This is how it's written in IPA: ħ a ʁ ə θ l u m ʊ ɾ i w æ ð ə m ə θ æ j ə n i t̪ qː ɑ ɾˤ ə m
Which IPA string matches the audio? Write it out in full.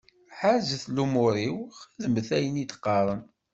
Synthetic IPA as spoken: ħ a z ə θ l u m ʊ ɾ i w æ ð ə m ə θ æ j ə n i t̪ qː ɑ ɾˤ ə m